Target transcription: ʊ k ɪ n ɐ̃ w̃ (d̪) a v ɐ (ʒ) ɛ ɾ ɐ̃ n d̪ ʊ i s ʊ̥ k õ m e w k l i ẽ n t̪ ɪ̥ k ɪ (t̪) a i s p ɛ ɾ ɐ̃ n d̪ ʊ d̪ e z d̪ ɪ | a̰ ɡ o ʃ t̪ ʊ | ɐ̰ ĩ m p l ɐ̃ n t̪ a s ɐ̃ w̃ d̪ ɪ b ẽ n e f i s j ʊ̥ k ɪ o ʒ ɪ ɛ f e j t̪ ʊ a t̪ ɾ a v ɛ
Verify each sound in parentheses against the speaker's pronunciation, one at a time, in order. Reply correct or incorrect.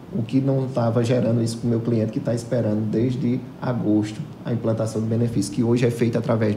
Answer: incorrect, correct, correct

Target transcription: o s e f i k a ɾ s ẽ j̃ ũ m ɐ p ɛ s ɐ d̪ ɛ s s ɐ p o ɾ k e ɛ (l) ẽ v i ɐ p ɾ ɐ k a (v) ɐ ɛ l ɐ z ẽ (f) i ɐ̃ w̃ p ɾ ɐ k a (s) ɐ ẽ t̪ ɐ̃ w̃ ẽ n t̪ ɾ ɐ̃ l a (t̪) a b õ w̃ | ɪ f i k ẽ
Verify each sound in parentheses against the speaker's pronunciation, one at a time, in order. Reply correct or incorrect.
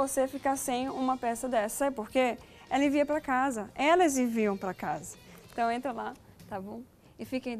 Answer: correct, incorrect, incorrect, incorrect, correct

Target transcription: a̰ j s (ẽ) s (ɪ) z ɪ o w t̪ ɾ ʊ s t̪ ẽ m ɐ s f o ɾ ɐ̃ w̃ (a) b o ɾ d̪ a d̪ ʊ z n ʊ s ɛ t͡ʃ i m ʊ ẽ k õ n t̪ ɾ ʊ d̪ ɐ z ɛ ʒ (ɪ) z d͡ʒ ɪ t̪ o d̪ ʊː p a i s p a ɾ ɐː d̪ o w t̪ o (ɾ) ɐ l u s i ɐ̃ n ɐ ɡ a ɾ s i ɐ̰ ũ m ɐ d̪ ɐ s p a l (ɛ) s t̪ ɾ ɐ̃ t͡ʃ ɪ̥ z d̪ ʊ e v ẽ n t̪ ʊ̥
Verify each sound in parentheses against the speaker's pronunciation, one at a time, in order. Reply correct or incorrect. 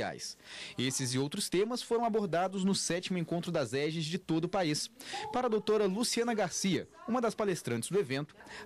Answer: incorrect, correct, correct, correct, correct, incorrect

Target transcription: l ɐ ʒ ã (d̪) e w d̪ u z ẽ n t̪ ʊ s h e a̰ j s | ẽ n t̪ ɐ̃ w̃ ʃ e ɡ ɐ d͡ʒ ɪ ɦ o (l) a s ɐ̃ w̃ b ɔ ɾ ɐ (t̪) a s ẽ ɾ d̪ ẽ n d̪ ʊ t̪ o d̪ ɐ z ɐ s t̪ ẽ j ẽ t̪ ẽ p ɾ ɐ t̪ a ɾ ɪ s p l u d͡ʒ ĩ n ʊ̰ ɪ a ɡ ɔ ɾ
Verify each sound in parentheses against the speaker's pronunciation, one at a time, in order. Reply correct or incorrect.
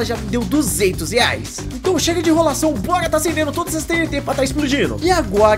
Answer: correct, correct, correct

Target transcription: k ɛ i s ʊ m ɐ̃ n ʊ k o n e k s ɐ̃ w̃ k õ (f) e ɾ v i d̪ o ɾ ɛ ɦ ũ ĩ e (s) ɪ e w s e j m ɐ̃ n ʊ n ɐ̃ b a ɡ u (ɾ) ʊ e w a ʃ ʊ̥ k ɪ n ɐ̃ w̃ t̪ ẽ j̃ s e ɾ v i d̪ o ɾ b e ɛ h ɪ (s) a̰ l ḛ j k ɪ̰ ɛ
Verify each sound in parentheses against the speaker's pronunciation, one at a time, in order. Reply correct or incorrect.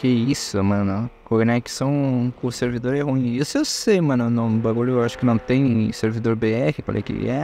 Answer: incorrect, correct, incorrect, incorrect

